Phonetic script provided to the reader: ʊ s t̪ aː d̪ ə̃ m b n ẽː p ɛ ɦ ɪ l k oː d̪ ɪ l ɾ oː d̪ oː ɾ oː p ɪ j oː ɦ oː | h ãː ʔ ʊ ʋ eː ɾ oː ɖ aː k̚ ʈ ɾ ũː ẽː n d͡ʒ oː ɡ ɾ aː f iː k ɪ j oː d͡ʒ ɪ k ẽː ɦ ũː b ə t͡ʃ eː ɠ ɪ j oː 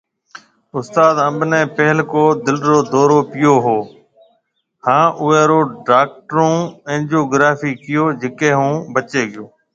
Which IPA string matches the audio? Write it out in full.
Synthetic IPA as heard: ʊ s t̪ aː d̪ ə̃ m b n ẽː p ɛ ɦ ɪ l k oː d̪ ɪ l ɾ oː d̪ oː ɾ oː p ɪ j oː ɦ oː | h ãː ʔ ʊ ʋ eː ɾ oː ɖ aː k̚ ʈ ɾ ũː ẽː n d͡ʒ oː ɡ ɾ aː f iː k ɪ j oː d͡ʒ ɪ k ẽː ɦ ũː b ə t͡ʃ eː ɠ ɪ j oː